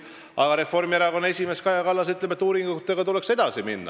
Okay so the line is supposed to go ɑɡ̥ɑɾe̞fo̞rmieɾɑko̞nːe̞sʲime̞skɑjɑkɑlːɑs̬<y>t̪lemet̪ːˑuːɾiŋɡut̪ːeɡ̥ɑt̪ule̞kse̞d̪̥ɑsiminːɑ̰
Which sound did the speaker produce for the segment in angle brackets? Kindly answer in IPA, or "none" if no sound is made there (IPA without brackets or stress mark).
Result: y